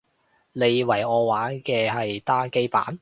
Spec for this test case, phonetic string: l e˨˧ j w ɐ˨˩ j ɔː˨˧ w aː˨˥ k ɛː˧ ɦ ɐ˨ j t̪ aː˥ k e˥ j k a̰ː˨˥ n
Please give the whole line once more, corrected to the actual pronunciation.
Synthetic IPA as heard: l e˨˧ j w ɐ˨˩ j ɔː˨˧ w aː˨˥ k ɛː˧ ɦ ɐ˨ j t̪ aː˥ k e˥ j p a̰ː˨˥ n

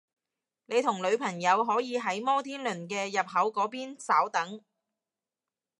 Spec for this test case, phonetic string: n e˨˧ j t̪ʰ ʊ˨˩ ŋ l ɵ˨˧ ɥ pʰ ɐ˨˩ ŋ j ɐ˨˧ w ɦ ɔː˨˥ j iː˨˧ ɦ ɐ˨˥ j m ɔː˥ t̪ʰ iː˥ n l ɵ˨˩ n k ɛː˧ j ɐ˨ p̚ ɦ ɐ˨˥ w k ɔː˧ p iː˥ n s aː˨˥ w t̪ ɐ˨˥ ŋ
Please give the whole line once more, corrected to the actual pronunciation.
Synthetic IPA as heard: n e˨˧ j t̪ʰ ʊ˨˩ ŋ l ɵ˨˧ ɥ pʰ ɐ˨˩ ŋ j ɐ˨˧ w ɦ ɔː˨˥ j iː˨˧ ɦ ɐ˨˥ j m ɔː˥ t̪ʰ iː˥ n l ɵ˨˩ n k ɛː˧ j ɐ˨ p̚ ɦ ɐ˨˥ w k ɔː˨˥ p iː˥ n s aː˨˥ w t̪ ɐ˨˥ ŋ

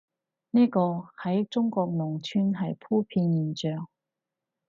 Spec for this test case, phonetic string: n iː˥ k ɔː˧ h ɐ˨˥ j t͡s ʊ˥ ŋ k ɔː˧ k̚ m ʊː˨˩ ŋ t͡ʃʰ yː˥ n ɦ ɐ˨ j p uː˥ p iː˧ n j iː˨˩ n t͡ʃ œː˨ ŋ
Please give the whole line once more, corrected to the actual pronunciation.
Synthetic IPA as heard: n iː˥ k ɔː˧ h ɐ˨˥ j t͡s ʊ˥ ŋ k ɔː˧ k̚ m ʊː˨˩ ŋ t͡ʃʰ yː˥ n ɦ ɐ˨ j pʰ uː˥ pʰ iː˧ n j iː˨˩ n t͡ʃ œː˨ ŋ

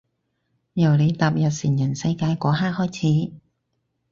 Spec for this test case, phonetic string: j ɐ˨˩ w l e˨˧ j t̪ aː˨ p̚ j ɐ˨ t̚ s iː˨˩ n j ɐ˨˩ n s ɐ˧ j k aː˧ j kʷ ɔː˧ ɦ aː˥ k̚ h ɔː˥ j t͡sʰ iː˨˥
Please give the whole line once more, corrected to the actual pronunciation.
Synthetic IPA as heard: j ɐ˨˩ w l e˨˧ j t̪ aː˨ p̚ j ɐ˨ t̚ s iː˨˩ n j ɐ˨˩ n s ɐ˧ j k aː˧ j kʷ ɔː˨˥ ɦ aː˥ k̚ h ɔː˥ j t͡sʰ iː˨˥

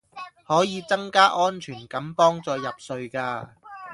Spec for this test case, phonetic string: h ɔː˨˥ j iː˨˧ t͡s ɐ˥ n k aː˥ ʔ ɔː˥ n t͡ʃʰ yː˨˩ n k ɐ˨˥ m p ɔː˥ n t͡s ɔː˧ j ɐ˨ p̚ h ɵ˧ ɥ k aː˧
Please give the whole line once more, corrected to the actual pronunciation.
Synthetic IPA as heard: h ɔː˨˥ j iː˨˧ t͡s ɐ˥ ŋ k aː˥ ʔ ɔː˥ n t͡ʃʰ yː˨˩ n k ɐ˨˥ m p ɔː˥ ŋ t͡s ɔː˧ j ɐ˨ p̚ s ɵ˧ ɥ k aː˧

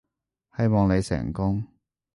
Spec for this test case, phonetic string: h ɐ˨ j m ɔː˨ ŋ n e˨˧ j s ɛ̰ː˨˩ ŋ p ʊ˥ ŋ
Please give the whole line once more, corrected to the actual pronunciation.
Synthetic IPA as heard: h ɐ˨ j m ɔː˨ ŋ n e˨˧ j s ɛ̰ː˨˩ ŋ k ʊ˥ ŋ

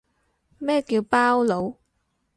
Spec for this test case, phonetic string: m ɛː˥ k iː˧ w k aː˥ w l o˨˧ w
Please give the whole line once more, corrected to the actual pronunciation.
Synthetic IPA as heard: m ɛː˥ k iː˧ w p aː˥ w l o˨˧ w

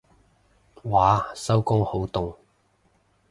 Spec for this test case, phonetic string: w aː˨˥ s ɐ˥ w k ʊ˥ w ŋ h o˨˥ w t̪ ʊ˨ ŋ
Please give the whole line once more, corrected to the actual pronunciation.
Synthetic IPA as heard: w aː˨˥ s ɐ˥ w k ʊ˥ ŋ h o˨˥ w t̪ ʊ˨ ŋ

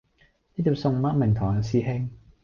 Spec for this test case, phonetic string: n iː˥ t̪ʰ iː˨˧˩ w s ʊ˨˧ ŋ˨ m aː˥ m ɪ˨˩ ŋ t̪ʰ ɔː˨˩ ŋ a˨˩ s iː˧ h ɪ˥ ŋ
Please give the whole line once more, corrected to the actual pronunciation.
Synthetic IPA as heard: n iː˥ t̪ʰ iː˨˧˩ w s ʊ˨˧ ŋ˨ m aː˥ m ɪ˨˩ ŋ t̪ʰ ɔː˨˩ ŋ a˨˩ s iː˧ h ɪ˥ ŋ

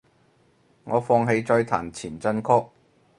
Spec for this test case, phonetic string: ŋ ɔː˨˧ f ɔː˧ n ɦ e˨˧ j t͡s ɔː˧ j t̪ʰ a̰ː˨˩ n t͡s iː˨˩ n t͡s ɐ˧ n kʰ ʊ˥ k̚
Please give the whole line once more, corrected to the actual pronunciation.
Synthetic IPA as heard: ŋ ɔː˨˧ f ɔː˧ ŋ ɦ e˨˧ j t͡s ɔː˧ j t̪ʰ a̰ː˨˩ n t͡sʰ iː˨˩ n t͡s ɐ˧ n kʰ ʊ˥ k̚

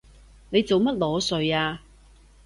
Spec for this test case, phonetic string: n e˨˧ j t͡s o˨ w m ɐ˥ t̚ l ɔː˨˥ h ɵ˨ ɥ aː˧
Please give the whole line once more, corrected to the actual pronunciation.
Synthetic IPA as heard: n e˨˧ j t͡s o˨ w m ɐ˥ t̚ l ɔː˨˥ s ɵ˨ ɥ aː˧

